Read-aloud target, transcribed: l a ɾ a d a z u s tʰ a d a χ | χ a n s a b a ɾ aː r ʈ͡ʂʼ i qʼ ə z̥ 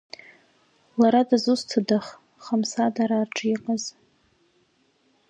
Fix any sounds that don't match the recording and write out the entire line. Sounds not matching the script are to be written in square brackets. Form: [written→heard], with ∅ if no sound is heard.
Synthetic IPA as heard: l a ɾ a d a z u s tʰ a d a χ | χ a [n→m] s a [b→d] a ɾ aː r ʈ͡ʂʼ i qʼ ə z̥